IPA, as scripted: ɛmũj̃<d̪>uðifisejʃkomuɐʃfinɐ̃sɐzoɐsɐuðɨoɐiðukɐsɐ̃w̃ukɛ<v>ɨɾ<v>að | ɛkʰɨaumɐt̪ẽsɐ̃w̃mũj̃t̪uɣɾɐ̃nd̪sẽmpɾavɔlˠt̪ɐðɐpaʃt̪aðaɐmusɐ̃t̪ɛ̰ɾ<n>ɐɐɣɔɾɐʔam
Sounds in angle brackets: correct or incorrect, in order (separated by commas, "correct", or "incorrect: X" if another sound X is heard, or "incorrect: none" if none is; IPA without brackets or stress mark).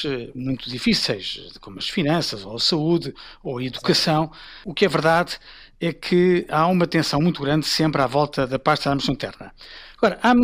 incorrect: t̪, correct, incorrect: ð, correct